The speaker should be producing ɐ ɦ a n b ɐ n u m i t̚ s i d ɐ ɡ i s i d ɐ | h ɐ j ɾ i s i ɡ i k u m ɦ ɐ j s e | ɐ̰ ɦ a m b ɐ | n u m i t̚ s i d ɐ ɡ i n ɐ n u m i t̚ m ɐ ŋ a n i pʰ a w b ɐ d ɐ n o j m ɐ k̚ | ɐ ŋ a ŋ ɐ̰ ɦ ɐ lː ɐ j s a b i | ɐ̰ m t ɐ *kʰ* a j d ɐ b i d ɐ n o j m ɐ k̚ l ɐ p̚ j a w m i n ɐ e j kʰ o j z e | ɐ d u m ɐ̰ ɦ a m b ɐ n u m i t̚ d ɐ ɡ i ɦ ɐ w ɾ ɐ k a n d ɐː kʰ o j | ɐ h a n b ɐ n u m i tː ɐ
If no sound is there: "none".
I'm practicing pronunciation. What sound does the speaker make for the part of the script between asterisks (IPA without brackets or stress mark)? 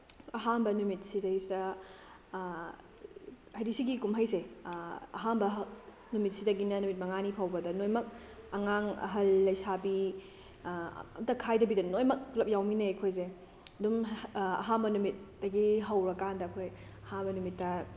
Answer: kʰ